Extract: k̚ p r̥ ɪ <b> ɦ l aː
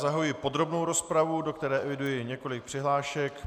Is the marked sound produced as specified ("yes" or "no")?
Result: no